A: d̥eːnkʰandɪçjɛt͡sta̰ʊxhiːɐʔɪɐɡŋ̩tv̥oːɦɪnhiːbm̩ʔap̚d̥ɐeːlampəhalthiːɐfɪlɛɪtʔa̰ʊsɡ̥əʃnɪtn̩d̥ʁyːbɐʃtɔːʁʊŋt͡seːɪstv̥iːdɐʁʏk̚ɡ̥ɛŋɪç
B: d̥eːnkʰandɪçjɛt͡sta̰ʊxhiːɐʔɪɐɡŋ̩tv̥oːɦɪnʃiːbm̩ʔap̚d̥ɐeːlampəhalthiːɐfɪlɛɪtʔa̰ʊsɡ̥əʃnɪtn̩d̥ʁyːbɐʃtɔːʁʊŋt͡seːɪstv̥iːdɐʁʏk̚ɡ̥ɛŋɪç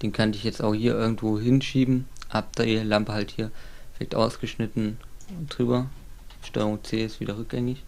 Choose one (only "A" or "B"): B